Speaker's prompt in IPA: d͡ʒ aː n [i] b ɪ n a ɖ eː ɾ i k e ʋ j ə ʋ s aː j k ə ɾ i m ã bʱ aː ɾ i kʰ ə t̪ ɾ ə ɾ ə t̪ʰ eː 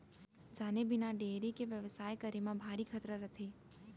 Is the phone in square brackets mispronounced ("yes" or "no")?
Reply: yes